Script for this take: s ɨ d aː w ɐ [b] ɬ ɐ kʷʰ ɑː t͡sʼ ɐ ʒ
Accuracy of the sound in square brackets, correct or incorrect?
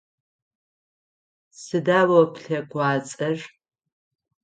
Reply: incorrect